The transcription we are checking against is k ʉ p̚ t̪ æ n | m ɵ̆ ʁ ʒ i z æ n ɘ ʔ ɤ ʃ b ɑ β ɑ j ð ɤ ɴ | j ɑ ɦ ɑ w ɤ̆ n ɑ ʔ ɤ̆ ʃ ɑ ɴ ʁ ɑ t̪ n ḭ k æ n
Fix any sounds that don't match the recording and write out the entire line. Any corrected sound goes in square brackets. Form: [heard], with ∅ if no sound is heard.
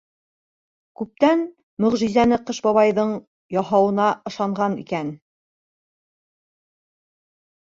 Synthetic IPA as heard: k ʉ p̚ t̪ æ n | m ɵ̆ ʁ ʒ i z æ n ɘ [q] ɤ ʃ b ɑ β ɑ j ð ɤ ɴ | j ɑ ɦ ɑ w ɤ̆ n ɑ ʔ ɤ̆ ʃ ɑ ɴ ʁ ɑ [∅] n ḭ k æ n